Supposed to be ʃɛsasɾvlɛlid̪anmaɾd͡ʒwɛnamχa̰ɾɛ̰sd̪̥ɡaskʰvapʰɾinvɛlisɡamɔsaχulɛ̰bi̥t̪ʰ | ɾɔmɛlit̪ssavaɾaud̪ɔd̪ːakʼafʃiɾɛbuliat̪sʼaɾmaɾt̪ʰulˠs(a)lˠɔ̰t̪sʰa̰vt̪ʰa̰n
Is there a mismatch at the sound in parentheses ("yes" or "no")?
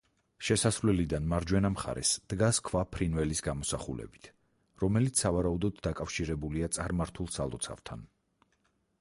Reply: no